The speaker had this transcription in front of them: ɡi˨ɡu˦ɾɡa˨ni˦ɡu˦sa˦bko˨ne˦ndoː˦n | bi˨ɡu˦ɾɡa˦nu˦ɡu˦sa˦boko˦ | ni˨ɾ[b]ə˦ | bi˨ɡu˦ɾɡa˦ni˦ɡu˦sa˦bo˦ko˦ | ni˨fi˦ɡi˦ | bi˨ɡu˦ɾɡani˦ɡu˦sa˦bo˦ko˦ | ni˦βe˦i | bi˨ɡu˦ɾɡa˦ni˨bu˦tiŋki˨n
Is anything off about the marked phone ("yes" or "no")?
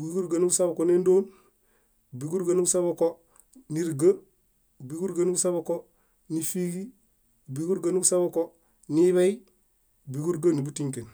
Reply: yes